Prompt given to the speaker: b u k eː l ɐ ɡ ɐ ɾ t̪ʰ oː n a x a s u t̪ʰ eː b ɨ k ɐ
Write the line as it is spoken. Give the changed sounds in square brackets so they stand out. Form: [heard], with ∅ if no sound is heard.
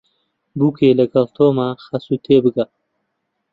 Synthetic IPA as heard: b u k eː l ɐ ɡ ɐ [l] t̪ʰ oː [m] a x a s u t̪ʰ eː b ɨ [ɡ] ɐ